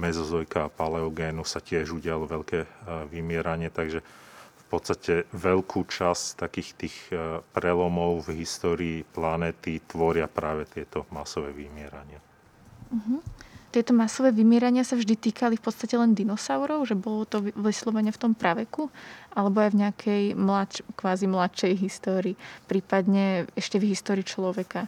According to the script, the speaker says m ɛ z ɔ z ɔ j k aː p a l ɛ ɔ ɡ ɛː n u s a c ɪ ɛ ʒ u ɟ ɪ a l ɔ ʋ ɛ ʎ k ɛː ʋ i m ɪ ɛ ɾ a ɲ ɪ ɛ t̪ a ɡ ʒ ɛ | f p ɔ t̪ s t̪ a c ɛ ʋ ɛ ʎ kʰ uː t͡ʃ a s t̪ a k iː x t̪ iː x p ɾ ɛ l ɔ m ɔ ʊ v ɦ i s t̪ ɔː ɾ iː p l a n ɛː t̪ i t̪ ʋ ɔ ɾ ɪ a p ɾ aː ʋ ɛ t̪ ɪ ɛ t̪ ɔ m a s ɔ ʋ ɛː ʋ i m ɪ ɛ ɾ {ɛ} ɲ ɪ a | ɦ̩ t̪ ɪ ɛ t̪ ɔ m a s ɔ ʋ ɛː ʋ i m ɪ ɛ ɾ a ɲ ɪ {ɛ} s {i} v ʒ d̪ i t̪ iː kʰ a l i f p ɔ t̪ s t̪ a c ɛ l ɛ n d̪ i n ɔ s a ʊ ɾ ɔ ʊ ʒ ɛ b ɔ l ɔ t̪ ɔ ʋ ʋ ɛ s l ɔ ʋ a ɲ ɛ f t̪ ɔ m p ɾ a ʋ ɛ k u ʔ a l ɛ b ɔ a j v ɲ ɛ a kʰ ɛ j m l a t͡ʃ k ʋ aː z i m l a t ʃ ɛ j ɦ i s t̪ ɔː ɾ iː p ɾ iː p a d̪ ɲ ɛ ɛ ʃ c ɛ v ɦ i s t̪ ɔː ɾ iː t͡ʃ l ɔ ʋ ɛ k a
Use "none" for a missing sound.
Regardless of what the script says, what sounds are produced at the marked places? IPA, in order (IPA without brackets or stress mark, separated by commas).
a, a, a